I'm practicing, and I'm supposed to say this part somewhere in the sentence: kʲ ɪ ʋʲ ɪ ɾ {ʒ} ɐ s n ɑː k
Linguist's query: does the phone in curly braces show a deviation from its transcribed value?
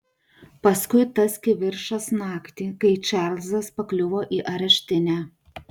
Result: yes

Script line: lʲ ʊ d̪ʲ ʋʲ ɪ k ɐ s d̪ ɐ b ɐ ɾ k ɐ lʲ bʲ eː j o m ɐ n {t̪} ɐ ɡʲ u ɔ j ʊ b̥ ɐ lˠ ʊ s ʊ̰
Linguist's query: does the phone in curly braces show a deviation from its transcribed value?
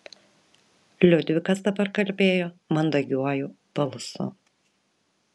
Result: yes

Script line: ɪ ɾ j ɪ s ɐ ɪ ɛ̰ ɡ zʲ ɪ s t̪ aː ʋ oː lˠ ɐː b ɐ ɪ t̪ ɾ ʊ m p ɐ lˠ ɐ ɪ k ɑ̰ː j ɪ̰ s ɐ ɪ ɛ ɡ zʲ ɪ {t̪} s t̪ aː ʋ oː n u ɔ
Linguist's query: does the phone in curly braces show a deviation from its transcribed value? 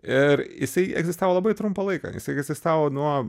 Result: yes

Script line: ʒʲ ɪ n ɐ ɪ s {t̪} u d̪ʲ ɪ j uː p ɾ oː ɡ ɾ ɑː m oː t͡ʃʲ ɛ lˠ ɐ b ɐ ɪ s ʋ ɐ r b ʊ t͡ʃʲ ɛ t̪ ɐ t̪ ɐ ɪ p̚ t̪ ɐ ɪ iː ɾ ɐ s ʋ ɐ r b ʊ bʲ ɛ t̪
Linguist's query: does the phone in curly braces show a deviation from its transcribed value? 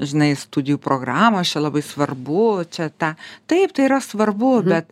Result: no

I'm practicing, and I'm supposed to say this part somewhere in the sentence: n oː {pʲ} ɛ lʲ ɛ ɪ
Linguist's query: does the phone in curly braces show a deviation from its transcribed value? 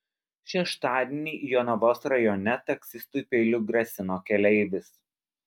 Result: yes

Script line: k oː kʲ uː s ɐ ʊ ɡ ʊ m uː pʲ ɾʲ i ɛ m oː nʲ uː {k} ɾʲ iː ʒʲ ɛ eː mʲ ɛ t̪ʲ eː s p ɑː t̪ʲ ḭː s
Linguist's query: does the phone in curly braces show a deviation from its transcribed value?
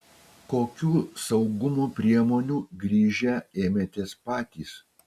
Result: yes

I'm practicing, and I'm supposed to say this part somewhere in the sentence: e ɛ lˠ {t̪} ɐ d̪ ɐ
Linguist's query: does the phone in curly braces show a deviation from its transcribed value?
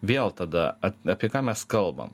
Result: no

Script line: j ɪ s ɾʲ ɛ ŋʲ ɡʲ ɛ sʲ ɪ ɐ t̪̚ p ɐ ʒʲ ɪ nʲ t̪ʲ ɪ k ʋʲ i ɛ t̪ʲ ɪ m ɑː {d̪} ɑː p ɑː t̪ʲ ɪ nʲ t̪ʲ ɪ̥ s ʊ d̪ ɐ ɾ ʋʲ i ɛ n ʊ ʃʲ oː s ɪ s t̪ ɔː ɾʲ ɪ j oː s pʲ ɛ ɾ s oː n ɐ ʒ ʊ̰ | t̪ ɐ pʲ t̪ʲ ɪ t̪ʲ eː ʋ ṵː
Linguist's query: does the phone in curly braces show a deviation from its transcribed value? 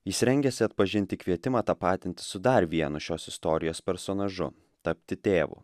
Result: yes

